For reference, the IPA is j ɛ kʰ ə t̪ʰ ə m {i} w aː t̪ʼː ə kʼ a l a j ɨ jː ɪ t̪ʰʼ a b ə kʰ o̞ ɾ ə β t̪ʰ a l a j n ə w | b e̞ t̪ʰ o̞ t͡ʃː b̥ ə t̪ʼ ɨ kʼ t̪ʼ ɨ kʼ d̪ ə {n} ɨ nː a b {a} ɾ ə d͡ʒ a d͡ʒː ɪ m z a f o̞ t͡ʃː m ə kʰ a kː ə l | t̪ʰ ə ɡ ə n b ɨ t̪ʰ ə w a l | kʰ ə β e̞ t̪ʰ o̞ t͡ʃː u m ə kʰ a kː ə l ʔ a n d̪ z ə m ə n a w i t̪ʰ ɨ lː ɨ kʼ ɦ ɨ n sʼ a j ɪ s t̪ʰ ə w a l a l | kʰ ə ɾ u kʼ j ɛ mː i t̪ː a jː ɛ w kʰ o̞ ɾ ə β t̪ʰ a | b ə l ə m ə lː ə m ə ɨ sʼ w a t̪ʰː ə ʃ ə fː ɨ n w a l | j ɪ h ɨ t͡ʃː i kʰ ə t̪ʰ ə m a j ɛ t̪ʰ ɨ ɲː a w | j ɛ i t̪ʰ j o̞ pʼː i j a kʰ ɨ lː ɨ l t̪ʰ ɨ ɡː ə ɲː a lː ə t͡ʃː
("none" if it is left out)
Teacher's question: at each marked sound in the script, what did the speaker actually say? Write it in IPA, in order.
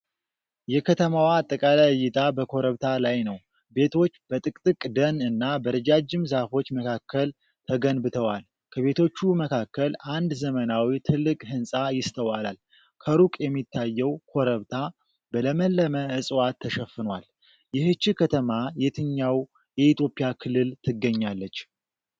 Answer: a, n, ə

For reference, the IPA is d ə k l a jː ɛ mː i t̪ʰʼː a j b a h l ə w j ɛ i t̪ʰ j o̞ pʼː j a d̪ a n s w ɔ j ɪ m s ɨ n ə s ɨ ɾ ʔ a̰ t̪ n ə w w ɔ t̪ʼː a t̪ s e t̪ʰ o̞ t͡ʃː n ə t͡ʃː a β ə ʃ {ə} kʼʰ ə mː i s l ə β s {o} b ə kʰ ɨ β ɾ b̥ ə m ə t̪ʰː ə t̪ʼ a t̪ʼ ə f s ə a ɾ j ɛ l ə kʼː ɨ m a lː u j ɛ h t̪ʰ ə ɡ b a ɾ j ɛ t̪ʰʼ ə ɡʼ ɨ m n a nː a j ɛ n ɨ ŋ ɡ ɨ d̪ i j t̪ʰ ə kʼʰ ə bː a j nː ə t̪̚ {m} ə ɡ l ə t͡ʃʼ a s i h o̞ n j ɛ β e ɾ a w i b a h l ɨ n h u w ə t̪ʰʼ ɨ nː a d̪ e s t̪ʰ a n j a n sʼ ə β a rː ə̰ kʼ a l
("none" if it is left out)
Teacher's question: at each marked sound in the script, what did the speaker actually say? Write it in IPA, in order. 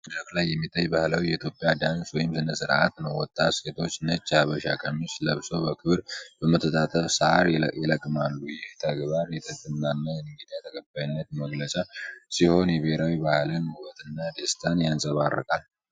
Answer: a, o, m

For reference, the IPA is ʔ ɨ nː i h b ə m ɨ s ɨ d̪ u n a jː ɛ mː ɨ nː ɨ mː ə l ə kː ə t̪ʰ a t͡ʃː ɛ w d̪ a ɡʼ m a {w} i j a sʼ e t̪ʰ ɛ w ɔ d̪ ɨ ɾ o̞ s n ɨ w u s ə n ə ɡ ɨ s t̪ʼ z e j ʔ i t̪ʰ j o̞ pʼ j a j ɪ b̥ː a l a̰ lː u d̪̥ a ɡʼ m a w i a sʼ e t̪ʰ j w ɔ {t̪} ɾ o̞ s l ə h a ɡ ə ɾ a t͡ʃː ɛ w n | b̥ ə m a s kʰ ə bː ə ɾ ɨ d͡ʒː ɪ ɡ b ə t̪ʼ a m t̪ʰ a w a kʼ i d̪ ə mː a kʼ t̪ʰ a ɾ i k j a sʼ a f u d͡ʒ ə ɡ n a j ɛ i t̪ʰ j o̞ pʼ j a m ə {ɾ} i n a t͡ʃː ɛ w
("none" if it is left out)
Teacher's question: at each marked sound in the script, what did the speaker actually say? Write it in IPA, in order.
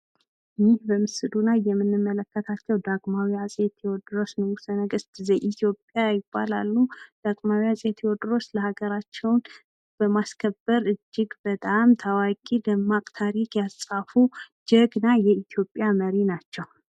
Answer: w, d̪, ɾ

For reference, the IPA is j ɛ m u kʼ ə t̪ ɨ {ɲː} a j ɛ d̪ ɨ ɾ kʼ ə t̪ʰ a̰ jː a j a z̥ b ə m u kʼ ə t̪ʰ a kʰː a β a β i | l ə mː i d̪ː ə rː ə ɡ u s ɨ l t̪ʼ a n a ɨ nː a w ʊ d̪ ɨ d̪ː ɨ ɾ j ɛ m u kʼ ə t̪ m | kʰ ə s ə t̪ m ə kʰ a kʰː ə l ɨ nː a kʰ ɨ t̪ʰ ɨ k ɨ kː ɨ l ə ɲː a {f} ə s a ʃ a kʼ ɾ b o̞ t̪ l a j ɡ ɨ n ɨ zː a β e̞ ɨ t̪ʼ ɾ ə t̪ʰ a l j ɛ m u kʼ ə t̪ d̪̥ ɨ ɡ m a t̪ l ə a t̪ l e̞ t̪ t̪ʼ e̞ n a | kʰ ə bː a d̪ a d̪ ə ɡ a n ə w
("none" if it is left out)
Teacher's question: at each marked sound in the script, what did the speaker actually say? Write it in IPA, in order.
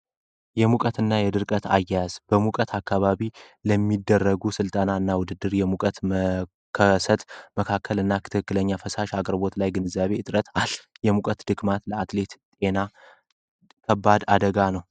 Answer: nː, f

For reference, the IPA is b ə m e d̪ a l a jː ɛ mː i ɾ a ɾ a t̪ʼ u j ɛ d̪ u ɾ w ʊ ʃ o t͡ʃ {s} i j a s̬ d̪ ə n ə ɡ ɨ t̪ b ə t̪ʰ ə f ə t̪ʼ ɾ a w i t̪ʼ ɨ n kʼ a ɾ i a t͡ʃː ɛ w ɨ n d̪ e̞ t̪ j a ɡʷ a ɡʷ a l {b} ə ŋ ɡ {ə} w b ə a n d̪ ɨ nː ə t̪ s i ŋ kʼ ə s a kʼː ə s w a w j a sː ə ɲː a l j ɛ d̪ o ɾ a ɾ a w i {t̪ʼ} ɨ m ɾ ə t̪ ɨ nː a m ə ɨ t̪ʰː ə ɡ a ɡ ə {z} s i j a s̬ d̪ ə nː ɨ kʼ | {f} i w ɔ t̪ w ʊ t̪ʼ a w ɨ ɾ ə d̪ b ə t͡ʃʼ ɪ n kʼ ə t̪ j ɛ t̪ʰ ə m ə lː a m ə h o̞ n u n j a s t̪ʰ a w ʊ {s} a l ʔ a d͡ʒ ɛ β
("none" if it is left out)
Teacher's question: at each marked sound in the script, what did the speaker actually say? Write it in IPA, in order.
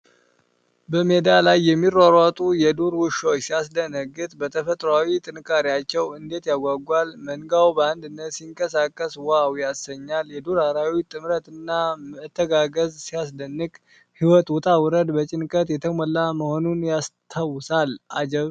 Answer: s, m, a, t̪ʼ, z, h, s

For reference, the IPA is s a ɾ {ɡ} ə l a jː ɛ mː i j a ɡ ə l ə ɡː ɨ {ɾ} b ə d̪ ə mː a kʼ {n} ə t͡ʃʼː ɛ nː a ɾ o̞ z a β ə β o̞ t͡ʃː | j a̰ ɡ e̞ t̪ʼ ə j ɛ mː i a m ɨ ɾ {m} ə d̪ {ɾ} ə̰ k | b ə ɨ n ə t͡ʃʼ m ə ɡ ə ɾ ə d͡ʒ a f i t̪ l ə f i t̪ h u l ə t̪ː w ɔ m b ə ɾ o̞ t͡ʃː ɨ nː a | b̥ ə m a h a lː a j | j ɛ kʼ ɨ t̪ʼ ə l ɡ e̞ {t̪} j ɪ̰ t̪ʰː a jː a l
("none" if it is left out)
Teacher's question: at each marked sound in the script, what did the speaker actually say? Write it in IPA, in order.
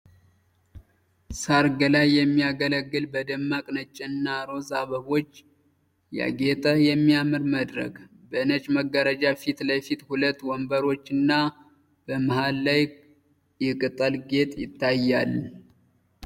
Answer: ɡ, l, n, m, ɾ, t̪ʼ

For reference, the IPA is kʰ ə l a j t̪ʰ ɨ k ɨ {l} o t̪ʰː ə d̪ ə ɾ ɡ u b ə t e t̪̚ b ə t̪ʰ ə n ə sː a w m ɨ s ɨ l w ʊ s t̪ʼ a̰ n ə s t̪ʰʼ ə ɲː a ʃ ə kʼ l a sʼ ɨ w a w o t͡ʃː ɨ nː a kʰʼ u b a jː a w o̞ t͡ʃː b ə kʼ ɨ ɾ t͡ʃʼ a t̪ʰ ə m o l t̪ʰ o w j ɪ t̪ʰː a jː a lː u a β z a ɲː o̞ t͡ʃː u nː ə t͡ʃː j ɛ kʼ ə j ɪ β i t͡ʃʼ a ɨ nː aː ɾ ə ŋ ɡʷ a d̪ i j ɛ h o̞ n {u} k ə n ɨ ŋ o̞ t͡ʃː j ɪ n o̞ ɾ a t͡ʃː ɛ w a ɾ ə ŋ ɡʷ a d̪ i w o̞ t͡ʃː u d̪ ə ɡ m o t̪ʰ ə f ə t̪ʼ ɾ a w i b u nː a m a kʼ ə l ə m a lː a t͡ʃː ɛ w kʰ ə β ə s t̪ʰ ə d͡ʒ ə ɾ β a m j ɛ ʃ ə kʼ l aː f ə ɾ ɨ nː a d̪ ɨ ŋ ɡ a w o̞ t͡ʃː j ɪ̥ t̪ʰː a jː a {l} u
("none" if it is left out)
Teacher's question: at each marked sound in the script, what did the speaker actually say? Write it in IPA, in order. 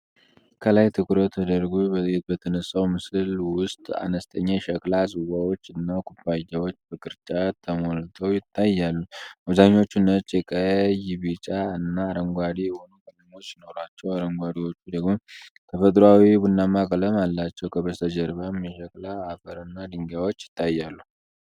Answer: ɾ, u, lː

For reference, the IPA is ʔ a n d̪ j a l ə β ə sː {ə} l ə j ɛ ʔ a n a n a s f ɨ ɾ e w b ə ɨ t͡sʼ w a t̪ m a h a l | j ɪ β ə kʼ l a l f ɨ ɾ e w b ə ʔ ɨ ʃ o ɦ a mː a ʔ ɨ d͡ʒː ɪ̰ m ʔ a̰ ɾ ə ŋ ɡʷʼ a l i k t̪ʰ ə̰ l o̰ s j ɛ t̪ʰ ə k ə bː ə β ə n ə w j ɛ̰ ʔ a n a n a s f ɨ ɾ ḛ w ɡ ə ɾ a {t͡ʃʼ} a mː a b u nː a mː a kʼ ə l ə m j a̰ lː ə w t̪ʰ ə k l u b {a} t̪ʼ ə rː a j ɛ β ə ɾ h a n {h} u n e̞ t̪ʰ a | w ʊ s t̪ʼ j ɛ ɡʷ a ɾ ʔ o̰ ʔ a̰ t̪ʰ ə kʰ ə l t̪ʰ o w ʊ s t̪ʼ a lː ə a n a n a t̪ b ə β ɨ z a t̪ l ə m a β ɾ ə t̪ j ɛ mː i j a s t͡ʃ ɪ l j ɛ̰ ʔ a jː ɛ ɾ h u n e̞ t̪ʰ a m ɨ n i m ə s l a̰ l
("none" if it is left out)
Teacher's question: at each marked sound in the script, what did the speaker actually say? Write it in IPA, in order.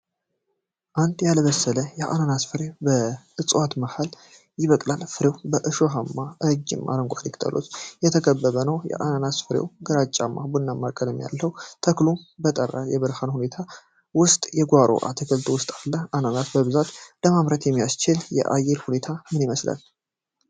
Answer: ə, t͡ʃʼ, ə, h

